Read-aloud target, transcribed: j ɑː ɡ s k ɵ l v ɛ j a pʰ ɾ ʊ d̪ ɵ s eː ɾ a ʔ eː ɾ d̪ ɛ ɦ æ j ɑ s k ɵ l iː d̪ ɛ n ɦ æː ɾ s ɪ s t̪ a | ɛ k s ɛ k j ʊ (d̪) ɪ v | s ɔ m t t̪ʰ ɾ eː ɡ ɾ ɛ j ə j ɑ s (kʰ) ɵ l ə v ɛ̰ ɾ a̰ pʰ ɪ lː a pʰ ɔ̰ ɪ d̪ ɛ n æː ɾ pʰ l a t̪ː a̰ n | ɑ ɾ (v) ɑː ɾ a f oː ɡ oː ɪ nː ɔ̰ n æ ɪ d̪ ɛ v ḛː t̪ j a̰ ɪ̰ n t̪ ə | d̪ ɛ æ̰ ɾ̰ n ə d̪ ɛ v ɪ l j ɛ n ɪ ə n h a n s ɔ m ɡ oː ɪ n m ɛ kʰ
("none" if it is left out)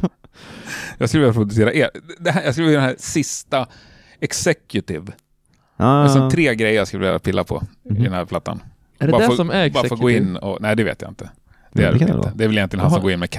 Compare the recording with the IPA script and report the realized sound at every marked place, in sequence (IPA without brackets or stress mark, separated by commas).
t̪, k, b